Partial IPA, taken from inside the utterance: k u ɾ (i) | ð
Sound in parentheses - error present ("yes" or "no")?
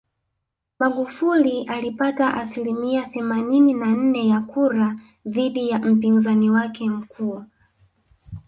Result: yes